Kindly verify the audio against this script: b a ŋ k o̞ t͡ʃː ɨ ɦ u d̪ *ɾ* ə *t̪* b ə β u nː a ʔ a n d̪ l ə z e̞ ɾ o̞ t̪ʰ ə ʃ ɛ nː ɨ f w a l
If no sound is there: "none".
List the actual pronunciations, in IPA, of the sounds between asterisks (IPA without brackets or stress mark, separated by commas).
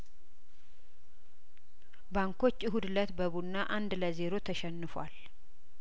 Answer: l, t̪